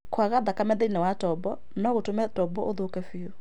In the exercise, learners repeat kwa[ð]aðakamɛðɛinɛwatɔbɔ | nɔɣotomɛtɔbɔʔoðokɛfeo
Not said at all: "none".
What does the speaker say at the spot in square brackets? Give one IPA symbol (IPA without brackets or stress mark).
ɣ